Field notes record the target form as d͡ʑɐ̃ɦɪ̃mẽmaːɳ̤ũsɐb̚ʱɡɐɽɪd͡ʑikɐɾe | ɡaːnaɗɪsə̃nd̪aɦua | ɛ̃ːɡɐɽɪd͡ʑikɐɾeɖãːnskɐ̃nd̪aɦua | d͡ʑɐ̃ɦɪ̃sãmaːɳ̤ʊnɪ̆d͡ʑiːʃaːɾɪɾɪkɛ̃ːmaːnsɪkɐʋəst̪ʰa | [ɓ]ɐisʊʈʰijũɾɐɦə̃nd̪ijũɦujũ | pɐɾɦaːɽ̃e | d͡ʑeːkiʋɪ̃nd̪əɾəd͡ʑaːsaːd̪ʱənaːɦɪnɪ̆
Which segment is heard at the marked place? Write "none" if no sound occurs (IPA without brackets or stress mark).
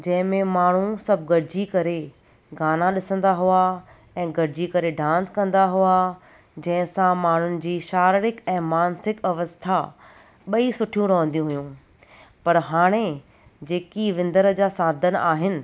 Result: ɓ